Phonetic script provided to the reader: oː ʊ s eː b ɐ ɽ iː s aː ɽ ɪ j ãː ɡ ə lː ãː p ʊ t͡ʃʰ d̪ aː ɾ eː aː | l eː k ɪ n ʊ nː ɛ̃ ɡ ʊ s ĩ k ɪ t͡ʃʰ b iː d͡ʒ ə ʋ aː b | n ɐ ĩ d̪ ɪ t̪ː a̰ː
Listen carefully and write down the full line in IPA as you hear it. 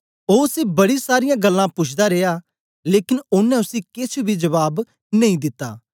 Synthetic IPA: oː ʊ s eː b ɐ ɽ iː s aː ɾ ɪ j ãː ɡ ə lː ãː p ʊ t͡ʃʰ d̪ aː ɾ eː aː | l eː k ɪ n ʊ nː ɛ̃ ʊ s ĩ k ɪ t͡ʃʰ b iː d͡ʒ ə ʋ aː b | n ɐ ĩ d̪ ɪ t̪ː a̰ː